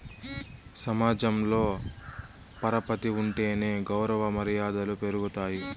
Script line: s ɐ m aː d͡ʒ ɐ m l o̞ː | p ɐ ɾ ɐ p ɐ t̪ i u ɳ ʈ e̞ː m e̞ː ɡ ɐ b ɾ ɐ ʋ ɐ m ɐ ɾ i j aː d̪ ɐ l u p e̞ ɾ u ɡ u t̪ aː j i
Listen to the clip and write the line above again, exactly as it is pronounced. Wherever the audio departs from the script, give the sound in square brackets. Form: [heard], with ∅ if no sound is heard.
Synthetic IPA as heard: s ɐ m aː d͡ʒ ɐ m l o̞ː | p ɐ ɾ ɐ p ɐ t̪ i u ɳ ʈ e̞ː [n] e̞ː ɡ ɐ [w] ɾ ɐ ʋ ɐ m ɐ ɾ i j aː d̪ ɐ l u p e̞ ɾ u ɡ u t̪ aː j i